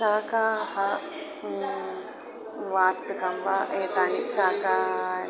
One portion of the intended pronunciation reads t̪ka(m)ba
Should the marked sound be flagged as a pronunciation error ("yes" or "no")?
no